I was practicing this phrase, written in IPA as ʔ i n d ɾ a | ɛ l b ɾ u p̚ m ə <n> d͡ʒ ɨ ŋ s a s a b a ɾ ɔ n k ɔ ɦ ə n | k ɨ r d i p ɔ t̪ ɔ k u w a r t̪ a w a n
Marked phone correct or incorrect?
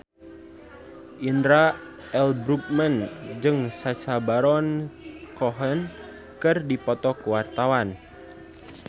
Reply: correct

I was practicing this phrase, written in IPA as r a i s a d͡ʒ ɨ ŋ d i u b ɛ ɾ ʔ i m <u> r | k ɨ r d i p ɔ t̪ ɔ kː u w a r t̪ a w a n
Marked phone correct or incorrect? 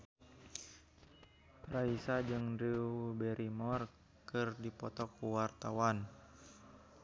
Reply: incorrect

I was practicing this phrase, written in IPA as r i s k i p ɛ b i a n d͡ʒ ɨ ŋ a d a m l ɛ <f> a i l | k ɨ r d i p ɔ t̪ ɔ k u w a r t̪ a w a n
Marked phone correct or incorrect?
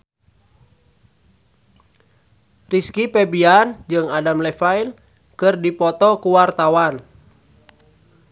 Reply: correct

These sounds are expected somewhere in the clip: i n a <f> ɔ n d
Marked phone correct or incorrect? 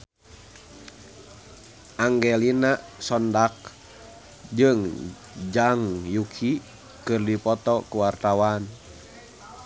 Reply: incorrect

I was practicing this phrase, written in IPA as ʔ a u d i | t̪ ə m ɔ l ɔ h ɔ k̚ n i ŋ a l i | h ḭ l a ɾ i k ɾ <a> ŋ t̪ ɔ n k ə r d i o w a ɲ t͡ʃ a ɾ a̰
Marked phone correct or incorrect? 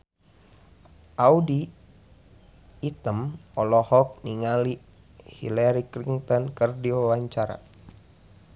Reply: incorrect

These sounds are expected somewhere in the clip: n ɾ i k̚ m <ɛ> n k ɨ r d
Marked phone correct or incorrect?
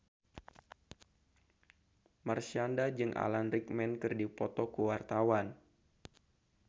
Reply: correct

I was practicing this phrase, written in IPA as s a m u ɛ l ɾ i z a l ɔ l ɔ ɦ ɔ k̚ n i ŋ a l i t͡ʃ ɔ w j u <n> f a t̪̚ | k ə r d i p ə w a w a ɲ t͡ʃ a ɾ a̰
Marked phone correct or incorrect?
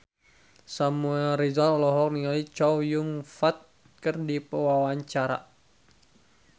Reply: incorrect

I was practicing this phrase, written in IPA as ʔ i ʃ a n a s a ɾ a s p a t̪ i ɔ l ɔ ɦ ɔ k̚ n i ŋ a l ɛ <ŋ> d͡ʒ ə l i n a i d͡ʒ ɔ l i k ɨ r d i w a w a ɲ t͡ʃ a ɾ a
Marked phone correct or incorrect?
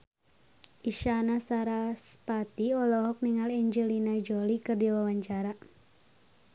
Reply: incorrect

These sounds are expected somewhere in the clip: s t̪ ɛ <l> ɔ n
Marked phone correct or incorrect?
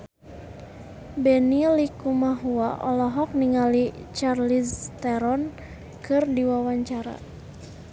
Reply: incorrect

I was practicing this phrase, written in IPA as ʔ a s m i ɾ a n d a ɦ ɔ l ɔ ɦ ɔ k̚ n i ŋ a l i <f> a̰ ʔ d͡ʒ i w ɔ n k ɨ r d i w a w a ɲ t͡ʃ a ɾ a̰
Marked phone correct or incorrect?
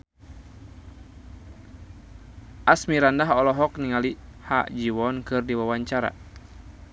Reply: incorrect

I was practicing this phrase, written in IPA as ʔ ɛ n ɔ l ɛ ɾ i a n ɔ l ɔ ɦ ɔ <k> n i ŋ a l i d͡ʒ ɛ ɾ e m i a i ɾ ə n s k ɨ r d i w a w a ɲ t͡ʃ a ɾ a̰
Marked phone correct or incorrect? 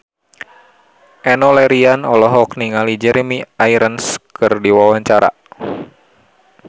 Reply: correct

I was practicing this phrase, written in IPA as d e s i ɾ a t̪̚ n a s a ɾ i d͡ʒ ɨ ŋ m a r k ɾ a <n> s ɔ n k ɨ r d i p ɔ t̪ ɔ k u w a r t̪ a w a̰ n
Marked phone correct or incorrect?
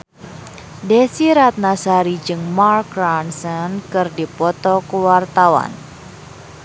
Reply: correct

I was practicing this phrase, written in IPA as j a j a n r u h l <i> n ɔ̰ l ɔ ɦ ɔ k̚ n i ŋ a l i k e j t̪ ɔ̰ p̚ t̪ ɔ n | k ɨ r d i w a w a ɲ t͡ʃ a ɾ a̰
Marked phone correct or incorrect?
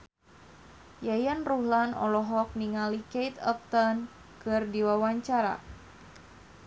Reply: incorrect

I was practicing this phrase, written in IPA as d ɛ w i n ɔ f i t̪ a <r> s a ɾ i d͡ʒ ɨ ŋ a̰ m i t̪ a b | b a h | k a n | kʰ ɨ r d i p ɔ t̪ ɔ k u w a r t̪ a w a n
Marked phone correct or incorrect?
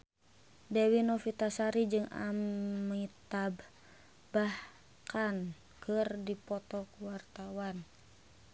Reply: incorrect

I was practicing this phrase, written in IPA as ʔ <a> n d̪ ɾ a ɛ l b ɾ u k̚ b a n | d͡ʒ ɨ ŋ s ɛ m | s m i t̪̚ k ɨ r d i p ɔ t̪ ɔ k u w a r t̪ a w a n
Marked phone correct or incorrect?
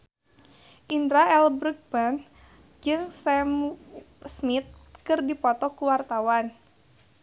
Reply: incorrect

